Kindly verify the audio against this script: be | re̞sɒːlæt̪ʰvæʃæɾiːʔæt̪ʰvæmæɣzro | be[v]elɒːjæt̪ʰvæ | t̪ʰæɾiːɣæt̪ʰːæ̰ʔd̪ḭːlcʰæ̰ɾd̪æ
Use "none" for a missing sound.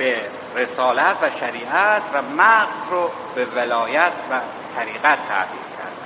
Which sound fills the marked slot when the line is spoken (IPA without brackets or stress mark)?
v